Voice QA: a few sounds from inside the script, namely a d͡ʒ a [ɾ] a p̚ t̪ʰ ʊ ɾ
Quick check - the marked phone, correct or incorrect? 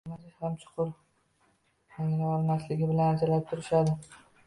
incorrect